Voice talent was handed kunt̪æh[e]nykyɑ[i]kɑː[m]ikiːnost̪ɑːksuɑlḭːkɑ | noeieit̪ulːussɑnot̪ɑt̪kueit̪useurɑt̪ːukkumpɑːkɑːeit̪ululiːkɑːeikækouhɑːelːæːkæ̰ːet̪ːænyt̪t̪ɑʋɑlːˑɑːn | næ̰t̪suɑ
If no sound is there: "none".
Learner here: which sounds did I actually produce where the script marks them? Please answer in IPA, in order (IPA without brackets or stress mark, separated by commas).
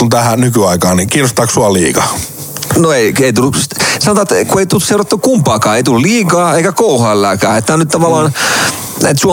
æ, i, n